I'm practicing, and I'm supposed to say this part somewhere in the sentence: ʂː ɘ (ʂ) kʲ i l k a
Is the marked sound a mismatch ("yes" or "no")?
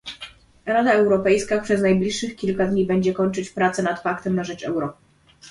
yes